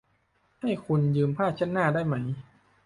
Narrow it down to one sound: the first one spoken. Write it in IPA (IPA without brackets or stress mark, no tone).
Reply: h